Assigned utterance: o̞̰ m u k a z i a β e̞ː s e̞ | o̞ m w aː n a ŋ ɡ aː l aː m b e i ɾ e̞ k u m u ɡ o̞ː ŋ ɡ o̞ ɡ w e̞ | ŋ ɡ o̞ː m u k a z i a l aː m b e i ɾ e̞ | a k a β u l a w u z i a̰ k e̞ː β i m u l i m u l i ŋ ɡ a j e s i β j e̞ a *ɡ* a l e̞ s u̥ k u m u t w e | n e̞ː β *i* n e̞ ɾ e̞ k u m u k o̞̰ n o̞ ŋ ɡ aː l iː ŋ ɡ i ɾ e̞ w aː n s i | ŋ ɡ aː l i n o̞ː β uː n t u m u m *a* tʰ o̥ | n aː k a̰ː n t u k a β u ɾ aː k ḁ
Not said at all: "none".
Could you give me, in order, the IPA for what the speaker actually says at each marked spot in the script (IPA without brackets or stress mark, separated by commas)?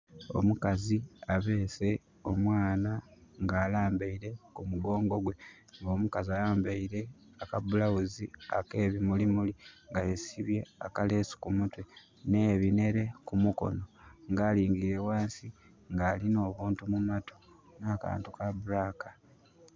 k, i, a